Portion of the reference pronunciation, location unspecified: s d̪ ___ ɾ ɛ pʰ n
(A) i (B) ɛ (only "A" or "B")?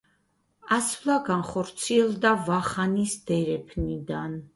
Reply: B